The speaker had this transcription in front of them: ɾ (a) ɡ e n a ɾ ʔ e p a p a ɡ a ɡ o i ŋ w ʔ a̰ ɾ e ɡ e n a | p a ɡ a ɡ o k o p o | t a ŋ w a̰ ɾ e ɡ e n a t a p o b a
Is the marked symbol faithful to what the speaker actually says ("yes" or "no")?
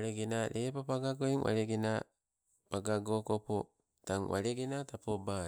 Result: no